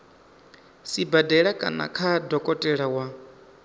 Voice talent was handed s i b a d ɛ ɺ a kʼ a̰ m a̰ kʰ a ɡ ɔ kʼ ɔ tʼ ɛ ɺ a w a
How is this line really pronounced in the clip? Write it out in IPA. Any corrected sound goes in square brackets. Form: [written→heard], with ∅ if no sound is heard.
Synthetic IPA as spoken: s i b a d ɛ ɺ a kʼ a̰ [m→n] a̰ kʰ a [ɡ→d] ɔ kʼ ɔ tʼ ɛ ɺ a w a